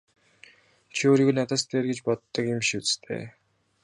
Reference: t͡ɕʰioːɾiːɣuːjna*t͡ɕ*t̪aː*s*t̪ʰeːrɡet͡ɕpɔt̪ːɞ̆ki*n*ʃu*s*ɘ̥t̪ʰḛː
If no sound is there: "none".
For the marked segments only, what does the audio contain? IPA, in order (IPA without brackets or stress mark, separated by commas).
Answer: none, s, m, t͡s